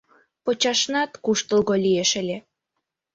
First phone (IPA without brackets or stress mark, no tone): p